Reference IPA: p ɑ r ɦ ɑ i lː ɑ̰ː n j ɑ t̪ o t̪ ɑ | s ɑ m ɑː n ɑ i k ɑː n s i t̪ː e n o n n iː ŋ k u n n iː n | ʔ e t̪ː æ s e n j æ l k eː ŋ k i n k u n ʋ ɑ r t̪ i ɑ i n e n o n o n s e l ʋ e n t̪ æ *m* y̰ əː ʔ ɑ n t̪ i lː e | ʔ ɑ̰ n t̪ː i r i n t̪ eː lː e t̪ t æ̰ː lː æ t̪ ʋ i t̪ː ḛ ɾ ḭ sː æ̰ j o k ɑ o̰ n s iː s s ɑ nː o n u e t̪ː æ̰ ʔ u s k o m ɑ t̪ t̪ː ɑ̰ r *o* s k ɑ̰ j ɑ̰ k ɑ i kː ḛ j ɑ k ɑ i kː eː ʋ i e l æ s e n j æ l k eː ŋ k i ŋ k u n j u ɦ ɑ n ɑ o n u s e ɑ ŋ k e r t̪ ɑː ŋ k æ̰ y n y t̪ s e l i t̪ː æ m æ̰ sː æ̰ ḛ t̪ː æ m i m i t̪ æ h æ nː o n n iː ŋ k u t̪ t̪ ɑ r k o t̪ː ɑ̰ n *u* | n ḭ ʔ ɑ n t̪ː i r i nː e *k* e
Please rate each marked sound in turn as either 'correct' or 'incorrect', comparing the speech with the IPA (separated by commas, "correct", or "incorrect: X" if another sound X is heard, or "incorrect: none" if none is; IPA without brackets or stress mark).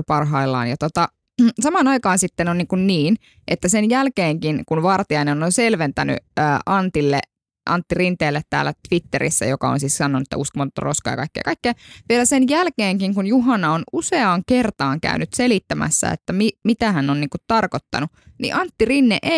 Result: incorrect: n, correct, correct, incorrect: ʔ